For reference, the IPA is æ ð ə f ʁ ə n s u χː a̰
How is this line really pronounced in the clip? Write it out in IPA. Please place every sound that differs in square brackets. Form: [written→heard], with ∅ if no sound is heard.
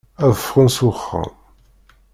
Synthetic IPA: æ ð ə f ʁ ə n s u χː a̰